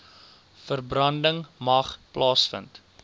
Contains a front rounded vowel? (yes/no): no